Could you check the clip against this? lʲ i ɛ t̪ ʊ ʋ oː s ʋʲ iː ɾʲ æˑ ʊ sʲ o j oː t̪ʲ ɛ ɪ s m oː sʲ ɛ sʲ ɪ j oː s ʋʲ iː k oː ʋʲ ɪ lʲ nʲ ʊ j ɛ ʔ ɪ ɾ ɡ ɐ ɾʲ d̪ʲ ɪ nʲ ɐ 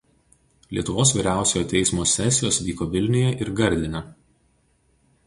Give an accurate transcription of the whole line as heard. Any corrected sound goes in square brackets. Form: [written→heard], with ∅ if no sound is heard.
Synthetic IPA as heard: lʲ i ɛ t̪ ʊ ʋ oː s ʋʲ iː ɾʲ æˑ ʊ sʲ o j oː t̪ʲ ɛ ɪ s m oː sʲ ɛ sʲ ɪ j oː s ʋʲ iː k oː ʋʲ ɪ lʲ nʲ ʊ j ɛ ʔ ɪ ɾ ɡ ɐ ɾʲ d̪ʲ ɪ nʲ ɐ